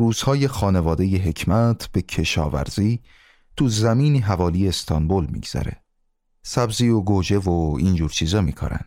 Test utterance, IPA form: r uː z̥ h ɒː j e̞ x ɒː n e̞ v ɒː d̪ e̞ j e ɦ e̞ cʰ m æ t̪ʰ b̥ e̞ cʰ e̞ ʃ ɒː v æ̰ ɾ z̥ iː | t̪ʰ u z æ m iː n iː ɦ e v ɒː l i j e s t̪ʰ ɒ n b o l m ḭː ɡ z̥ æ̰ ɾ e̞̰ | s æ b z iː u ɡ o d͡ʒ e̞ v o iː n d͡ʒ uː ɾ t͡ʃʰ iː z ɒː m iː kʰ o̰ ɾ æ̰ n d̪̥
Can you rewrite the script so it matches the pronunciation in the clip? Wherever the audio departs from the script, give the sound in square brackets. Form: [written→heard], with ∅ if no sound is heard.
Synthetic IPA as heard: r uː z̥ h ɒː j e̞ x ɒː n e̞ v ɒː d̪ e̞ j e ɦ e̞ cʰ m æ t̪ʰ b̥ e̞ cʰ e̞ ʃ ɒː v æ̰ ɾ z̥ iː | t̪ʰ u z æ m iː n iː ɦ [e→æ] v ɒː l i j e s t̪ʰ ɒ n b o l m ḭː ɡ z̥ æ̰ ɾ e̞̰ | s æ b z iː [u→o] ɡ o d͡ʒ e̞ v o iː n d͡ʒ uː ɾ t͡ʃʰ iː z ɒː m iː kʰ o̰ ɾ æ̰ n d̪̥